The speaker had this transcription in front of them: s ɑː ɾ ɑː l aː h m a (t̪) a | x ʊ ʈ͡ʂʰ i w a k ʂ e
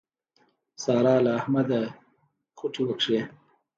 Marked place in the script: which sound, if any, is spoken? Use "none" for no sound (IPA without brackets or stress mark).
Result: d̪